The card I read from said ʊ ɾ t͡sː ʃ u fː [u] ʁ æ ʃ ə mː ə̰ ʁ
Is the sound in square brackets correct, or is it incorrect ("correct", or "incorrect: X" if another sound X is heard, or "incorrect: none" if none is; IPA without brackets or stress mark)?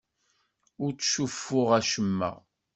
incorrect: ʊ